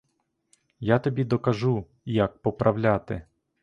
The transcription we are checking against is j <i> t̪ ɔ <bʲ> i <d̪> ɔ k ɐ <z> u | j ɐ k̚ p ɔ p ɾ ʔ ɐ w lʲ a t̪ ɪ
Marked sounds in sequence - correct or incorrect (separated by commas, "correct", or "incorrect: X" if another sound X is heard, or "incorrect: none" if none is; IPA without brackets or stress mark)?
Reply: incorrect: a, correct, correct, incorrect: ʒ